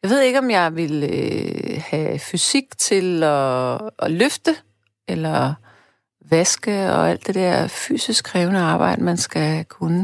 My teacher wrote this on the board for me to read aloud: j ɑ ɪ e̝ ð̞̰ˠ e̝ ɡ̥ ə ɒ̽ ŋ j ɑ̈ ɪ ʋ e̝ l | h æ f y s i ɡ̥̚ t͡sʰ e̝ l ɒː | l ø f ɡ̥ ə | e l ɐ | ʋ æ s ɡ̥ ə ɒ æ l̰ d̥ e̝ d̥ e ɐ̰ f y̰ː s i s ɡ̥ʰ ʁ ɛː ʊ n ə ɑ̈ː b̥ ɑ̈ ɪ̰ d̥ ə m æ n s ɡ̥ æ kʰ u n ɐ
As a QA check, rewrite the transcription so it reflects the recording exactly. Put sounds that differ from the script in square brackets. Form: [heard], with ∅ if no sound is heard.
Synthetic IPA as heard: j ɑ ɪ e̝ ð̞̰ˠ e̝ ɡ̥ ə ɒ̽ [m] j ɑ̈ ɪ ʋ e̝ l | h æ f y s i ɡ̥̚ t͡sʰ e̝ l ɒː | l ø f [d̥] ə | e l ɐ | ʋ æ s ɡ̥ ə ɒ æ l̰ d̥ e̝ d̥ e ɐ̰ f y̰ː s i s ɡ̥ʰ ʁ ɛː ʊ n ə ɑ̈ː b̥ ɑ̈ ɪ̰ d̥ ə m æ n s ɡ̥ æ kʰ u n [ə]